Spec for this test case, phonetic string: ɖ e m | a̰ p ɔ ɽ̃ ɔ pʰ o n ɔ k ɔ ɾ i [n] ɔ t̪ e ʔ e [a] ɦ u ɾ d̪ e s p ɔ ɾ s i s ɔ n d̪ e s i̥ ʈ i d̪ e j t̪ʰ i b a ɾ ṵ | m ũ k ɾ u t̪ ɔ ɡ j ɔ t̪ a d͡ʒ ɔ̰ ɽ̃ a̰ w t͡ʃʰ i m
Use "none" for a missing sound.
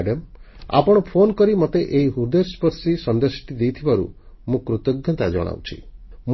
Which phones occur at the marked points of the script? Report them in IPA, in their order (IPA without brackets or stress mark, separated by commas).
m, i